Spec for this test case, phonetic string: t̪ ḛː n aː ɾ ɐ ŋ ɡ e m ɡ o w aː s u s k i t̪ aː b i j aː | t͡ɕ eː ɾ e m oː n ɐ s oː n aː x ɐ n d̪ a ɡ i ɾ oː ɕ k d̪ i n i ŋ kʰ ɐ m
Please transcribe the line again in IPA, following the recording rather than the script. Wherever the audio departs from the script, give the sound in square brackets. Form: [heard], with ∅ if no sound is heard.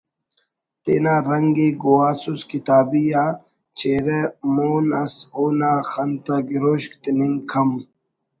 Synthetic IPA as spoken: t̪ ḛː n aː ɾ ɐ ŋ ɡ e [∅] ɡ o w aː s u s k i t̪ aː b i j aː | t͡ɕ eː ɾ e m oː n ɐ s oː n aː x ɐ n [t̪] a ɡ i ɾ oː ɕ k [t̪] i n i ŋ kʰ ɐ m

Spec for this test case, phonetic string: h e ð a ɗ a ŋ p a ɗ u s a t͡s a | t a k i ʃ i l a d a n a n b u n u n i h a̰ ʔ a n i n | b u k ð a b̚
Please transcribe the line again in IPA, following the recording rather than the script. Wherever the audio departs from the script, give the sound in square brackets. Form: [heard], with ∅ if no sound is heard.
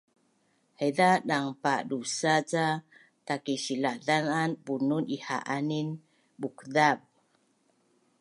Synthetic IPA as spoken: h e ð a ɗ a ŋ p a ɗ u s a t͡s a | t a k i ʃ i l a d a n a n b u n u n i h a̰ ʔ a n i n | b u k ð a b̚

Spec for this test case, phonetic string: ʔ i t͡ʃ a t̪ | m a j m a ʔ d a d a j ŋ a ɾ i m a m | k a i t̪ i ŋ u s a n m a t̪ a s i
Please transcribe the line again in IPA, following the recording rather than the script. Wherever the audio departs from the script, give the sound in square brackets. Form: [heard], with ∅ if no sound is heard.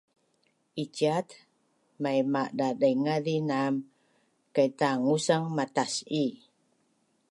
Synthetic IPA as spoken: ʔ i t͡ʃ a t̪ | m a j m a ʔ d a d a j ŋ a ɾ i [n] a m | k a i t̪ [a] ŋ u s a [ŋ] m a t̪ a s i

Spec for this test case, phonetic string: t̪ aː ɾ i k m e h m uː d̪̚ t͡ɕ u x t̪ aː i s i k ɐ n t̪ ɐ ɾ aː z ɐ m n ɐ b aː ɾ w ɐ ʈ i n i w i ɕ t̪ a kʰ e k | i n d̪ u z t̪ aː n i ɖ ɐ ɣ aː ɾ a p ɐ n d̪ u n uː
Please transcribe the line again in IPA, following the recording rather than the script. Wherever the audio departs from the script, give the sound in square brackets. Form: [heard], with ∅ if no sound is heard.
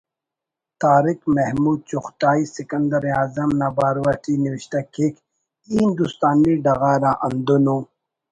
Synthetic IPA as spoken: t̪ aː ɾ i k m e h m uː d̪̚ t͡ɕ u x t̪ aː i s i k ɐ n [d̪] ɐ ɾ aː z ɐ m n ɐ b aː ɾ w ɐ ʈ i n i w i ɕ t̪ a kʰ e k | i n d̪ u [s] t̪ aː n i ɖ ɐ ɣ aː ɾ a [ʔ] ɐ n d̪ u n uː

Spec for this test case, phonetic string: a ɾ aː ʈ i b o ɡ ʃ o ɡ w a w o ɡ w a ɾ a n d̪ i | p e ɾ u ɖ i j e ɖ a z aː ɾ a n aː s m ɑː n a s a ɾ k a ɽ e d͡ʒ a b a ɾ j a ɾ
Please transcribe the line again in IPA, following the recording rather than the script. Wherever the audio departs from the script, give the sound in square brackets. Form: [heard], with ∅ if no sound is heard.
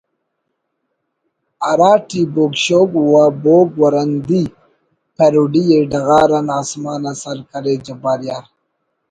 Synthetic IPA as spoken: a ɾ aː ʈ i b o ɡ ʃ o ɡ w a [b] o ɡ w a ɾ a n d̪ i | p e ɾ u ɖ i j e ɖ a [ɣ] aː ɾ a n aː s m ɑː n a s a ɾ k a [ɾ] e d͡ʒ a b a ɾ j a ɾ

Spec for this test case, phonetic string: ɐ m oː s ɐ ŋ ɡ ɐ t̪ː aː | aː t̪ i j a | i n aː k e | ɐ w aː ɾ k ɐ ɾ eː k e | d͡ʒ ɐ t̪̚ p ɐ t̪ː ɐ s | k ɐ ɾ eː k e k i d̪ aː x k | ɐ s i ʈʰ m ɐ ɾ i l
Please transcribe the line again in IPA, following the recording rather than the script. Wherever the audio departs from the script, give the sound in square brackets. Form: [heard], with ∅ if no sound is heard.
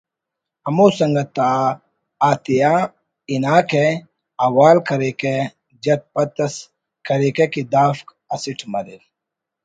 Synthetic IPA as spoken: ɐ m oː s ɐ ŋ ɡ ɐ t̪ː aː | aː t̪ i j a | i n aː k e | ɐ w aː [l] k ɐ ɾ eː k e | d͡ʒ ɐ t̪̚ p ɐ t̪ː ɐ s | k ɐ ɾ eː k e k i d̪ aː [f] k | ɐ s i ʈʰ m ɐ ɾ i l

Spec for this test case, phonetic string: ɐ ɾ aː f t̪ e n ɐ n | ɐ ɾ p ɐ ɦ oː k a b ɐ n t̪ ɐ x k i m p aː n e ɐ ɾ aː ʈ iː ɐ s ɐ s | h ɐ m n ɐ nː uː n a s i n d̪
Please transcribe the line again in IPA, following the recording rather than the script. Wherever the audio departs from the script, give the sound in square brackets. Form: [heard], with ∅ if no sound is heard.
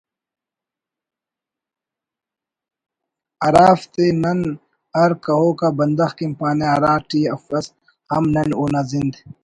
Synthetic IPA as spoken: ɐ ɾ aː f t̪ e n ɐ n | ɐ ɾ [k] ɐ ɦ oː k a b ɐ n [d̪] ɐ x k i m p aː n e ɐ ɾ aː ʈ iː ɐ [f] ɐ s | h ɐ m n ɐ [n] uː n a [z] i n d̪

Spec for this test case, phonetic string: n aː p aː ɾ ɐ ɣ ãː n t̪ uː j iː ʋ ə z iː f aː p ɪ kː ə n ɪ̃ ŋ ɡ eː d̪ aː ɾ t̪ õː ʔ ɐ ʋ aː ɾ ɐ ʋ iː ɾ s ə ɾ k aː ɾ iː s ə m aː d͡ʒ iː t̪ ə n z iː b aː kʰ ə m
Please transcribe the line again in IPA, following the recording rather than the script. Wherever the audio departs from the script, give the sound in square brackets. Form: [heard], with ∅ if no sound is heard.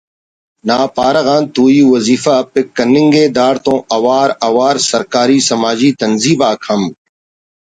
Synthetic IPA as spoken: n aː p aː ɾ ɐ ɣ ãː n t̪ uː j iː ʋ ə z iː f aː p ɪ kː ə n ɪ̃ ŋ ɡ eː d̪ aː ɾ t̪ õː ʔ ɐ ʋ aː ɾ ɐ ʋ [aː] ɾ s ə ɾ k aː ɾ iː s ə m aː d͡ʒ iː t̪ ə n z iː b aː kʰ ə m

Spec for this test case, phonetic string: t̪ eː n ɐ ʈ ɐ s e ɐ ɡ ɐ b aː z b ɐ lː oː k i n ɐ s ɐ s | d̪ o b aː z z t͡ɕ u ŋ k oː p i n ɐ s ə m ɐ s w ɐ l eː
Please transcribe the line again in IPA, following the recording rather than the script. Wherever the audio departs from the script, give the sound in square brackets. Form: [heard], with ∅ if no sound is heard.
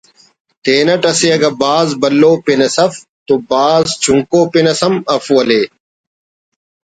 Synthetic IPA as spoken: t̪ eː n ɐ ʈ ɐ s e ɐ ɡ ɐ b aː z b ɐ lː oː [p] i n ɐ s ɐ [f] | [t̪] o b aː z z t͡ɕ u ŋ k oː p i n ɐ s [ɐ] m ɐ [f] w ɐ l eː

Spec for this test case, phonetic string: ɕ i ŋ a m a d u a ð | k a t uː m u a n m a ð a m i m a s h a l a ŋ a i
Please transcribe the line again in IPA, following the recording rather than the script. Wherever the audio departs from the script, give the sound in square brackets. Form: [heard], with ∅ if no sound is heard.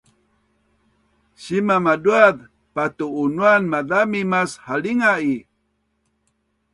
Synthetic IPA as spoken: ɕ i [m] a m a d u a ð | [p] a t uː [n] u a n m a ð a m i m a s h a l [i] ŋ a i

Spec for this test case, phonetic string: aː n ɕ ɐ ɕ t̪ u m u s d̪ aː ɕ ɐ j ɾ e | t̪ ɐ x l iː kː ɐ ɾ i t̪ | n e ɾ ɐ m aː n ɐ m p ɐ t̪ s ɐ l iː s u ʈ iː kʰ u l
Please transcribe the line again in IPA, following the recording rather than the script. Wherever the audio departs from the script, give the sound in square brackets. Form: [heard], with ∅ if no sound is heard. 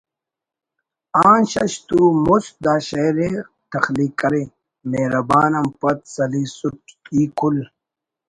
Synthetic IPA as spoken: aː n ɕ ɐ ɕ t̪ u m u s d̪ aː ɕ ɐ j ɾ e | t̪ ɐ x l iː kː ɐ ɾ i [∅] | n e ɾ ɐ [b] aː n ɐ m p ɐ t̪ s ɐ l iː s u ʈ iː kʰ u l

